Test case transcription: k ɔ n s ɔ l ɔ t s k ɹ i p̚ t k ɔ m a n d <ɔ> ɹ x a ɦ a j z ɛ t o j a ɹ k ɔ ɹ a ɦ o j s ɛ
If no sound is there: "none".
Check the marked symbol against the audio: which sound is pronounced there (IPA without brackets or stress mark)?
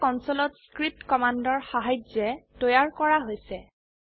ɔ